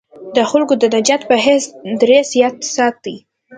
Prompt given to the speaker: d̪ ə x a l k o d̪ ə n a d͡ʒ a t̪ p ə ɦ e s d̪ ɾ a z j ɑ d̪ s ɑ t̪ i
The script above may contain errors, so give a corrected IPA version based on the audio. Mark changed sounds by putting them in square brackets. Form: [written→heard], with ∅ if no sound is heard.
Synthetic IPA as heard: d̪ ə x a l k o d̪ ə n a d͡ʒ a t̪ p ə ɦ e s d̪ ɾ [a→e] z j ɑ [d̪→t̪] s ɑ t̪ i